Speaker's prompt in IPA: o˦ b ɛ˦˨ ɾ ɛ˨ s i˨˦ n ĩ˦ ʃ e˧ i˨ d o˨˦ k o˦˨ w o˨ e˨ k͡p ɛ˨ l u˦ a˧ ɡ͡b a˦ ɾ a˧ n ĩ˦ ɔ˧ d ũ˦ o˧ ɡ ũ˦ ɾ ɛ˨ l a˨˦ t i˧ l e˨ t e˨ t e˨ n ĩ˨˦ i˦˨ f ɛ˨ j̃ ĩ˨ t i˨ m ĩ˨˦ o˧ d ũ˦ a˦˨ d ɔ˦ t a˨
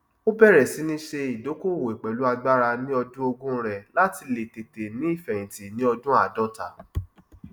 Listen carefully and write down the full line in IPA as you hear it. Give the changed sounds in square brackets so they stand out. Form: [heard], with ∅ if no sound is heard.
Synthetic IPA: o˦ b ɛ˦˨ ɾ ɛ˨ s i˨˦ n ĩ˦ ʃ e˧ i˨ d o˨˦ k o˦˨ w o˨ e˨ k͡p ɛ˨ l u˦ a˧ ɡ͡b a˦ ɾ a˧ n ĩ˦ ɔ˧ d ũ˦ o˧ ɡ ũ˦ ɾ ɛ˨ l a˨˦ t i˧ l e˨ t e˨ t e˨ n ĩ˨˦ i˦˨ f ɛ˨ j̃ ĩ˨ t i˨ [n] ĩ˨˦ [ɔ˧] d ũ˦ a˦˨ d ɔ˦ t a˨